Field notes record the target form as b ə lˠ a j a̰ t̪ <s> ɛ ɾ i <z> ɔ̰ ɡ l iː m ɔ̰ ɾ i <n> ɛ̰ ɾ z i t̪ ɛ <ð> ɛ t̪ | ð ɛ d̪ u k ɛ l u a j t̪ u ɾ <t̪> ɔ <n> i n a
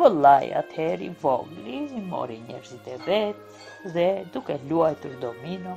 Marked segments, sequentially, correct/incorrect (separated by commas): incorrect, incorrect, incorrect, incorrect, incorrect, incorrect